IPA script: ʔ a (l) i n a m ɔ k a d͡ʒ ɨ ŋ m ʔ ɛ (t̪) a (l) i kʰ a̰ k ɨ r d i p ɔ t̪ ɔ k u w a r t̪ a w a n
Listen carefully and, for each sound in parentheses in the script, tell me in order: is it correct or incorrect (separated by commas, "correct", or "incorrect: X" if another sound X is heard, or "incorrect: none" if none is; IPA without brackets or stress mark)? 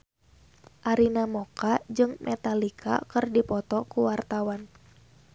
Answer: incorrect: ɾ, correct, correct